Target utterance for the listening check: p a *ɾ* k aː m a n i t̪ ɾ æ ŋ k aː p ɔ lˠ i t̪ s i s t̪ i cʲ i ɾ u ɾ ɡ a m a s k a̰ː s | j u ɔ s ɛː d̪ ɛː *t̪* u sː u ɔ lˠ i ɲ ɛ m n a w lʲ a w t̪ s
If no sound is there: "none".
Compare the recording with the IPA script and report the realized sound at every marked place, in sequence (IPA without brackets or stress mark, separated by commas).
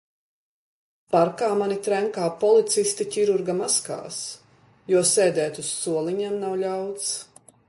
ɾ, t̪